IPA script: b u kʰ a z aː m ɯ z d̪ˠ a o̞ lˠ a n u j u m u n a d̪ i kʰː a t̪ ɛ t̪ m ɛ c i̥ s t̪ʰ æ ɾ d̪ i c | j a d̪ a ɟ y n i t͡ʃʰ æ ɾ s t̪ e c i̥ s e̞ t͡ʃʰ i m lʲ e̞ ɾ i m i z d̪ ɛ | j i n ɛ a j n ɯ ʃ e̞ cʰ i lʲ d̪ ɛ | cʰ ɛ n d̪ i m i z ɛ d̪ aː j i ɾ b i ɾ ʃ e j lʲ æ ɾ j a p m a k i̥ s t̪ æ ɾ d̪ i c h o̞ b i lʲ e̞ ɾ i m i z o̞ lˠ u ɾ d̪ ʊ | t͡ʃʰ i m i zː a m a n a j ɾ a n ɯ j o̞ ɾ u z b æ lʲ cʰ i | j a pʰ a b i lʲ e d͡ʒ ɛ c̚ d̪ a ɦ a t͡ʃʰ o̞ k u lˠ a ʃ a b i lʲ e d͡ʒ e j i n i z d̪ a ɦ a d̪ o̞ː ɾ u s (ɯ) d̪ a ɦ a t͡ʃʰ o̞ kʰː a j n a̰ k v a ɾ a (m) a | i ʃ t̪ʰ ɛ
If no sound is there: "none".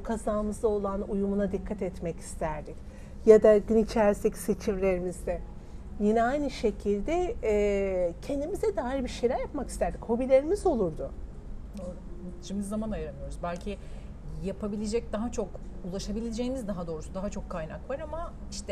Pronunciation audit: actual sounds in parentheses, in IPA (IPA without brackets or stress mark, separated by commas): u, m